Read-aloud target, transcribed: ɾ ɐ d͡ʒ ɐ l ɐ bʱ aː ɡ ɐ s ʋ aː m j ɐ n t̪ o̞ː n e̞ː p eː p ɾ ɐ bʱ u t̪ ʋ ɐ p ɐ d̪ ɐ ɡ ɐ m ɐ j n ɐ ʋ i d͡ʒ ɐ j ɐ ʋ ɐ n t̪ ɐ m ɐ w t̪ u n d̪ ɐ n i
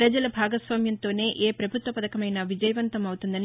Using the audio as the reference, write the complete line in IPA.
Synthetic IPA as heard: ɾ ɐ d͡ʒ ɐ l ɐ bʱ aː ɡ ɐ s ʋ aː m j ɐ n t̪ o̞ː n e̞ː ʔ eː p ɾ ɐ bʱ u t̪ ʋ ɐ p ɐ d̪ ɐ k ɐ m ɐ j n ɐ ʋ i d͡ʒ ɐ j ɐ ʋ ɐ n t̪ ɐ m ɐ w t̪ u n d̪ ɐ n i